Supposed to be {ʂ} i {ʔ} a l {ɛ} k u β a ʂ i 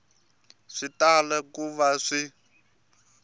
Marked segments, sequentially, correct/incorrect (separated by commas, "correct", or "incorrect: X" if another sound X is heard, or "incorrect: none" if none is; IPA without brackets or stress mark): correct, incorrect: t, correct